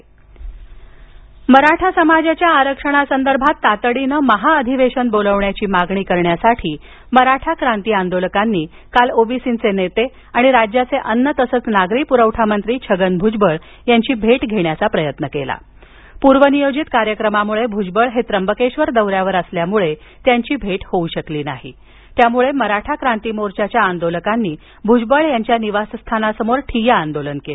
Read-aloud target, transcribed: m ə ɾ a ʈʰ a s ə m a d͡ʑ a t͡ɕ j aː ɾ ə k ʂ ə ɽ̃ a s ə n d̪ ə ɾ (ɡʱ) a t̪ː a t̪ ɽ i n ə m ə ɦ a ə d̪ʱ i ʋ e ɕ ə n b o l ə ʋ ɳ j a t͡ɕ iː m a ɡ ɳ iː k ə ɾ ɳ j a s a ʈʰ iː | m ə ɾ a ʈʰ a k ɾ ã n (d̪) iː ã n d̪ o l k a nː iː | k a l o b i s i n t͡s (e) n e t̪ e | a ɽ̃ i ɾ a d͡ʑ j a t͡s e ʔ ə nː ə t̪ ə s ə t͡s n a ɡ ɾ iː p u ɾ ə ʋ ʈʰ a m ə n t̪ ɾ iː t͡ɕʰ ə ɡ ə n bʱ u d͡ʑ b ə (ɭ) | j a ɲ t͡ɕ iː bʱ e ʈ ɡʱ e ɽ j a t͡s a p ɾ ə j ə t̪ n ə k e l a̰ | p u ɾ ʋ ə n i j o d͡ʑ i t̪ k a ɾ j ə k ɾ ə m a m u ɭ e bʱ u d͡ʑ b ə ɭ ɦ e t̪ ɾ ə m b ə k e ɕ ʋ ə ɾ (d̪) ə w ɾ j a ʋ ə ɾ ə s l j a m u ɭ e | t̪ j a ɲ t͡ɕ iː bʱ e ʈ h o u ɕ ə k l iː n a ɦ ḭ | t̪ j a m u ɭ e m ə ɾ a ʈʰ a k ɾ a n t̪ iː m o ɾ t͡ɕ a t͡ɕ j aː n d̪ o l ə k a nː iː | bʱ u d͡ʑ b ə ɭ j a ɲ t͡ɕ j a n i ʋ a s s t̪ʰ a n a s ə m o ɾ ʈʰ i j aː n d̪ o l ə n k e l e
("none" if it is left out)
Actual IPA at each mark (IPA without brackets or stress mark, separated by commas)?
bʱ, t̪, e, ɭ, d̪